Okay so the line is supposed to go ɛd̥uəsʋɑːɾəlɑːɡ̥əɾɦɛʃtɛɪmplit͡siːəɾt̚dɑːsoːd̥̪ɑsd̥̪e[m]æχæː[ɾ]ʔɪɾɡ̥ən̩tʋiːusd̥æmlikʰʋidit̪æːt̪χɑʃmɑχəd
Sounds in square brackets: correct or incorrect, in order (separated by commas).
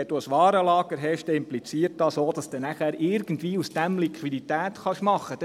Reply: incorrect, correct